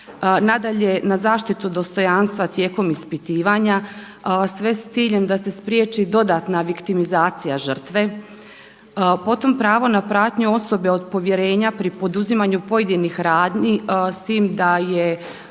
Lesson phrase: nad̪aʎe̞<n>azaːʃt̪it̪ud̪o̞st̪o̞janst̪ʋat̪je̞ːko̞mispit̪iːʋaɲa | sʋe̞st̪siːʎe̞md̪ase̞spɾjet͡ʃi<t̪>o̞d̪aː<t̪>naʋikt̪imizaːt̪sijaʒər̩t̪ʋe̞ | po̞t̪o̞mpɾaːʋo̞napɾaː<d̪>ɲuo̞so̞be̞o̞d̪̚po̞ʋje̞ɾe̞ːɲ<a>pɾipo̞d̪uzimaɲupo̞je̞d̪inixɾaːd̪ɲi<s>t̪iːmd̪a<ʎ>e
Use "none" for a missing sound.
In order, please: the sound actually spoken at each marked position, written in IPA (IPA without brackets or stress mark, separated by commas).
n, d̪, t̪, t̪, a, s, j